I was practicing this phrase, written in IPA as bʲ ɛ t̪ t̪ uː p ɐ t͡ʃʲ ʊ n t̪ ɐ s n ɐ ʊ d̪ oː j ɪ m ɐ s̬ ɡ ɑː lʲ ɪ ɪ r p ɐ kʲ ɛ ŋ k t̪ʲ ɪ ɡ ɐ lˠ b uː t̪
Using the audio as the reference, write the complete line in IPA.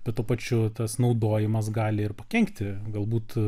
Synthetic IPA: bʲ ɛ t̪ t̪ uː p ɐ t͡ʃʲ ʊ t̪ ɐ s n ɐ ʊ d̪ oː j ɪ m ɐ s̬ ɡ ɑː lʲ ɪ ɪ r p ɐ kʲ ɛ ŋ k t̪ʲ ɪ ɡ ɐ lˠ b uː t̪

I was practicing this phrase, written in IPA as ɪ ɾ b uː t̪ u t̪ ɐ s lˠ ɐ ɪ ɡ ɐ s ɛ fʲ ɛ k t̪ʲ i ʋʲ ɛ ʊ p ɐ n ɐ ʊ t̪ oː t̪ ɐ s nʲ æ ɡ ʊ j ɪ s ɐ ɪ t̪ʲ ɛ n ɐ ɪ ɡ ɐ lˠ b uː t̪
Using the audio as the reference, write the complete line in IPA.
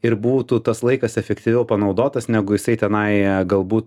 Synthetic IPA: ɪ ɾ b uː t̪ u t̪ ɐ s lˠ ɐ ɪ k ɐ s ɛ fʲ ɛ k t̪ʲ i ʋʲ ɛ ʊ p ɐ n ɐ ʊ d̪ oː t̪ ɐ s nʲ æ ɡ ʊ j ɪ s ɐ ɪ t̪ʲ ɛ n ɐ ɪ ɡ ɐ lˠ b uː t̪

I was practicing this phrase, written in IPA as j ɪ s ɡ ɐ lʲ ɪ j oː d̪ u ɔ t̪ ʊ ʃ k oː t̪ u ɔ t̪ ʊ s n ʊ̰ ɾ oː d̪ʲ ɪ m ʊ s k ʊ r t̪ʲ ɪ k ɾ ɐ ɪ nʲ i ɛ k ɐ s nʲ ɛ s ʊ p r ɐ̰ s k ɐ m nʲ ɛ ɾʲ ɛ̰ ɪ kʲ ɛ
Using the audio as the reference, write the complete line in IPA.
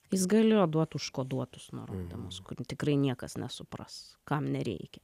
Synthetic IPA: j ɪ s ɡ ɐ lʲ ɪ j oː d̪ u ɔ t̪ ʊ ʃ k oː d̪ u ɔ t̪ ʊ s n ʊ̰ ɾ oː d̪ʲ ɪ m ʊ s k ʊ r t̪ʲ ɪ k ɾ ɐ ɪ nʲ i ɛ k ɐ s nʲ ɛ s ʊ p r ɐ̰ s k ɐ m nʲ ɛ ɾʲ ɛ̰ ɪ kʲ ɛ

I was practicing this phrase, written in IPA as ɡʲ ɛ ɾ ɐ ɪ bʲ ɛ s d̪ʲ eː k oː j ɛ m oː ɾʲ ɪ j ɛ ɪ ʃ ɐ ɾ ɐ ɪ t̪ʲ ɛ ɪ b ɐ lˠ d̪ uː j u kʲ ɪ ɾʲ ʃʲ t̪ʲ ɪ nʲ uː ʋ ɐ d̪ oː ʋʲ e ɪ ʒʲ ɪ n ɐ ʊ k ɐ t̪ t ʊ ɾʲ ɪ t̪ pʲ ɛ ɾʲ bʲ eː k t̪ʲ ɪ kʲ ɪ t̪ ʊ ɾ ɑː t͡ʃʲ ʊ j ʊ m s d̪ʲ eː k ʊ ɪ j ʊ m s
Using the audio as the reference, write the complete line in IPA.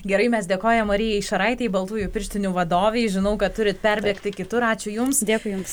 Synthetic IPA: ɡʲ ɛ ɾ ɐ ɪ mʲ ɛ s d̪ʲ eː k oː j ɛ m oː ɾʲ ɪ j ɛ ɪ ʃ ɐ ɾ ɐ ɪ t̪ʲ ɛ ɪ b ɐ lˠ t̪ uː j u pʲ ɪ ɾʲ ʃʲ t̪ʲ ɪ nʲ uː ʋ ɐ d̪ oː ʋʲ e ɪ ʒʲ ɪ n ɐ ʊ k ɐ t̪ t ʊ ɾʲ ɪ t̪ pʲ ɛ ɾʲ bʲ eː k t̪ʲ ɪ kʲ ɪ t̪ ʊ ɾ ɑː t͡ʃʲ ʊ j ʊ m s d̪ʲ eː k ʊ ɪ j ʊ m s

